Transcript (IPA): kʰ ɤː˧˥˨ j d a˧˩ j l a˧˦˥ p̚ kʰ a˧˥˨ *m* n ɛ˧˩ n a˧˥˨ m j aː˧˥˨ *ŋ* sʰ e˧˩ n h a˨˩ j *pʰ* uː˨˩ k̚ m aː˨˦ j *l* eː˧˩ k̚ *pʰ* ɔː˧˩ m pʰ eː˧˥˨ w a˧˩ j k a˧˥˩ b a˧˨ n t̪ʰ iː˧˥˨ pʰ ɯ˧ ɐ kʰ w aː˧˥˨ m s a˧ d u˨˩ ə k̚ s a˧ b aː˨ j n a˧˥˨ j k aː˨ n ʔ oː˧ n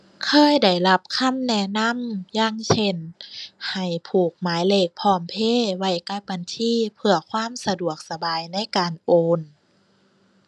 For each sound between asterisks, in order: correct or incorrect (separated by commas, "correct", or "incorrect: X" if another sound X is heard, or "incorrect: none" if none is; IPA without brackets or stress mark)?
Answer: correct, correct, correct, correct, correct